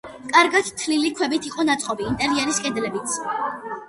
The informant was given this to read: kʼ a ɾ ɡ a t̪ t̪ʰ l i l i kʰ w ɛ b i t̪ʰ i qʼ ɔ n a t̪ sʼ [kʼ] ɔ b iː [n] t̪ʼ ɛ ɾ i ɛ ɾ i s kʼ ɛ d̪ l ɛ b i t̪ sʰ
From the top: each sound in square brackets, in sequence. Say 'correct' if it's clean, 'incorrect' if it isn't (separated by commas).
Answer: incorrect, correct